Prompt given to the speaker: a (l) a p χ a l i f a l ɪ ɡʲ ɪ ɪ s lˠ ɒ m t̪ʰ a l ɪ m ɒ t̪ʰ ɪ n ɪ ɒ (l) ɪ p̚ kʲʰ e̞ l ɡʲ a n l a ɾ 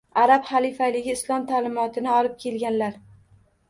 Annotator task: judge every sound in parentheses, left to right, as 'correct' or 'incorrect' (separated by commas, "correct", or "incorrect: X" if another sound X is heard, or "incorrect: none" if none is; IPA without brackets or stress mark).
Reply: incorrect: ɾ, correct